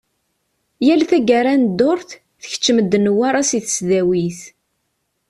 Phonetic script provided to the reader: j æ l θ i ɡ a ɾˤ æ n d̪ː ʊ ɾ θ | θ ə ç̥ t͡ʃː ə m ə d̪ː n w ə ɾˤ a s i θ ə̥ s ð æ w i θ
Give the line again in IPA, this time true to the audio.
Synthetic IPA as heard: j æ l θ æ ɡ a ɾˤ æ n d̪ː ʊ ɾ θ | θ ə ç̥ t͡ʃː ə m ə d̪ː n w a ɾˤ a s i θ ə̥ s ð æ w i θ